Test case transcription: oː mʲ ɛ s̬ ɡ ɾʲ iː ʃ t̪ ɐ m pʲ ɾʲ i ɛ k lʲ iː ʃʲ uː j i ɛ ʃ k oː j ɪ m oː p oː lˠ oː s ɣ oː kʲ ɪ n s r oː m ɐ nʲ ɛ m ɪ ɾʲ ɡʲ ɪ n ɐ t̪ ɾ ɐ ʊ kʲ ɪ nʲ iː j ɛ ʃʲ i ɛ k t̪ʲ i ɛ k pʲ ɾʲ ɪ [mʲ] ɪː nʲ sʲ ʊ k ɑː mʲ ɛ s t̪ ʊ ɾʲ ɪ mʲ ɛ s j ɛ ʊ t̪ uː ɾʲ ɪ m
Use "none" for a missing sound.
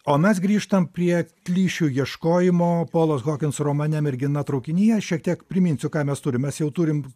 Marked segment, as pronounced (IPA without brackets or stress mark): mʲ